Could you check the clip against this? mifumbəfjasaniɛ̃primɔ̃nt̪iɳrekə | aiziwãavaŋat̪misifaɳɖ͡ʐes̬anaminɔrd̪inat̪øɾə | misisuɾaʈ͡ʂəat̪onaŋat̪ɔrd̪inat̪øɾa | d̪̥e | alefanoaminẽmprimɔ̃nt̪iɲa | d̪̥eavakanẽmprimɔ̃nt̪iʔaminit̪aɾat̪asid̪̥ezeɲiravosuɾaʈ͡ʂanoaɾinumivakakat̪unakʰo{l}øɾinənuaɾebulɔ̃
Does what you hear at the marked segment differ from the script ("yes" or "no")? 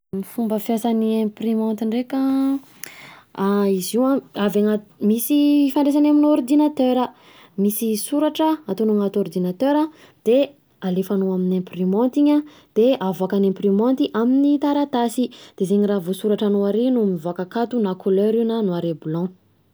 no